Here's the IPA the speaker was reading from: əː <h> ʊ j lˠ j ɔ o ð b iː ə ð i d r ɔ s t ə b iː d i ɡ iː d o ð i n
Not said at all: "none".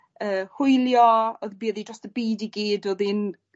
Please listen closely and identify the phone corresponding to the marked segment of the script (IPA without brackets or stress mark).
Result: h